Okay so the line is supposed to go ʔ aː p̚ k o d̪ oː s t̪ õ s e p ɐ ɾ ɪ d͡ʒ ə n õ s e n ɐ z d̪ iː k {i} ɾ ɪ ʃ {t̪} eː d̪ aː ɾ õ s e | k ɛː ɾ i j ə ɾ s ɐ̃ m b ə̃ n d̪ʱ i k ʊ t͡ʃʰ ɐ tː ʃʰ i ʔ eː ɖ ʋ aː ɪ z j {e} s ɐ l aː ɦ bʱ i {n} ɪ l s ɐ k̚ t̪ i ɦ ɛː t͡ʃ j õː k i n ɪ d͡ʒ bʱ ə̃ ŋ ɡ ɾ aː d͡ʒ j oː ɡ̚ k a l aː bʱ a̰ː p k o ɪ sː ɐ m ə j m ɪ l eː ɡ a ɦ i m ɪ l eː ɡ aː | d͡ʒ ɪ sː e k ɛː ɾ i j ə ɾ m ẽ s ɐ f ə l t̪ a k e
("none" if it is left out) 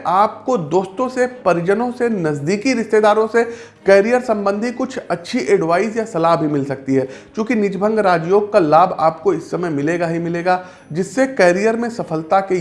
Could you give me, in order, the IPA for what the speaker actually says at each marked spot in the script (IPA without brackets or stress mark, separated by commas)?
i, t̪, a, m